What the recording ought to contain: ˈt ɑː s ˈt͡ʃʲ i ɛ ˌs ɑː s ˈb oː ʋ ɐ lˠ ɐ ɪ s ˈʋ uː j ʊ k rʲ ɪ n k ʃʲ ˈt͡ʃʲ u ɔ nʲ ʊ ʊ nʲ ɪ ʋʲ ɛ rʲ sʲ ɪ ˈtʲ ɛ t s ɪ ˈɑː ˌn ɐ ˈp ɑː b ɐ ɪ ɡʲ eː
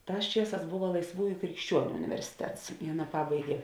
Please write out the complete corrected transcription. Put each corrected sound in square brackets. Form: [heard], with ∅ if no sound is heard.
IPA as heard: ˈt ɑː s ˈt͡ʃʲ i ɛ ˌs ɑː s ˈb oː ʋ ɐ lˠ ɐ ɪ s ˈʋ uː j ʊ k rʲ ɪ [∅] k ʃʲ ˈt͡ʃʲ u ɔ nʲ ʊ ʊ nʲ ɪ ʋʲ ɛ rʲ sʲ ɪ ˈtʲ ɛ t s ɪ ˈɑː ˌn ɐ ˈp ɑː b ɐ ɪ ɡʲ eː